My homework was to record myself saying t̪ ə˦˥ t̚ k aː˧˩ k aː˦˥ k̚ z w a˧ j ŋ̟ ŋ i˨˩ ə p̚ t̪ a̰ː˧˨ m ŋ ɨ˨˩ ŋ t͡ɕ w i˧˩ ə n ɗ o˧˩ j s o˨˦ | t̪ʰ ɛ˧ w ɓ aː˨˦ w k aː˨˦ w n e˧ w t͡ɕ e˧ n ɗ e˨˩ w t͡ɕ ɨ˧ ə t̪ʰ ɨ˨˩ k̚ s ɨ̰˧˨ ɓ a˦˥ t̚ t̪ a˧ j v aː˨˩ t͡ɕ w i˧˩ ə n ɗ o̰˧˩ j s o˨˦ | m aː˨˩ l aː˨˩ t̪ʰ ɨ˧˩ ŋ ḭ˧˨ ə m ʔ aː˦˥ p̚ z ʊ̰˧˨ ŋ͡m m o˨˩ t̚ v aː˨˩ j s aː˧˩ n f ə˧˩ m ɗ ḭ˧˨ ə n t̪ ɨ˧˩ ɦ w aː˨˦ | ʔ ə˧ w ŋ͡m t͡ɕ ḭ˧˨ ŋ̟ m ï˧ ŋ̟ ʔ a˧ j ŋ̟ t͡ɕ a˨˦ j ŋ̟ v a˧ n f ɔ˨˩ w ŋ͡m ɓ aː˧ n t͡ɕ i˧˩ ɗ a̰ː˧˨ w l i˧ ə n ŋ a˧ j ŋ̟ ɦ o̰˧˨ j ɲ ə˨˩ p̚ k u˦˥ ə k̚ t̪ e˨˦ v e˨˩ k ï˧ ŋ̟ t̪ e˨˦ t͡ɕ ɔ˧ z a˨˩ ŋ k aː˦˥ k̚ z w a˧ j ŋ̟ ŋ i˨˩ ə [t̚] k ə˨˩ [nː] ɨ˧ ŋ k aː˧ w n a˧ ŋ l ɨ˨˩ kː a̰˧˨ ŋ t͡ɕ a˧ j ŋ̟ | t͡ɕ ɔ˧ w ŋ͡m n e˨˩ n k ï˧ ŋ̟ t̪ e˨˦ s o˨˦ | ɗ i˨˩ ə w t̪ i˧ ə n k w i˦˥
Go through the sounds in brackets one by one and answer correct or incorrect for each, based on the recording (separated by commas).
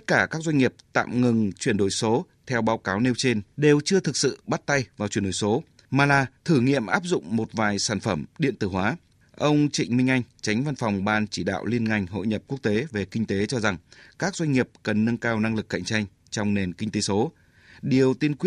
incorrect, correct